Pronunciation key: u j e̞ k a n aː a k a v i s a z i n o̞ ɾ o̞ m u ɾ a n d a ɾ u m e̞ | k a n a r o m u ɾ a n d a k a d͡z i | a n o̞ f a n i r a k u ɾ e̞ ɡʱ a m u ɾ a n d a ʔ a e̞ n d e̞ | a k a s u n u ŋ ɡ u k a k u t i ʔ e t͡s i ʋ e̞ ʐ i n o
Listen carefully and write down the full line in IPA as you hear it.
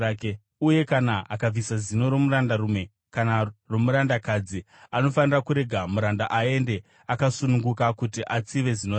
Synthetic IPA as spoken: u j e̞ k a n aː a k a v i s a z i n o̞ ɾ o̞ m u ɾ a n d a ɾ u m e̞ | k a n a r o m u ɾ a n d a k a d͡z i | a n o̞ f a n i r a k u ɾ e̞ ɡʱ a m u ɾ a n d a ʔ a e̞ n d e̞ | a k a s u n u ŋ ɡ u k a k u t i ʔ a t͡s i ʋ e̞ z i n o